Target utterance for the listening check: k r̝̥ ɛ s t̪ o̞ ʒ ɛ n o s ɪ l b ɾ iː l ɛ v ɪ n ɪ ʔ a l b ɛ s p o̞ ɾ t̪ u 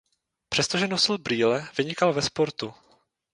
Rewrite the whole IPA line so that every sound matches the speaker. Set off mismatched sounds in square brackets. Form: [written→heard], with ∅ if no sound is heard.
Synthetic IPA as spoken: [k→p] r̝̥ ɛ s t̪ o̞ ʒ ɛ n o s ɪ l b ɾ iː l ɛ v ɪ [n→ɲ] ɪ [ʔ→k] a l [b→v] ɛ s p o̞ ɾ t̪ u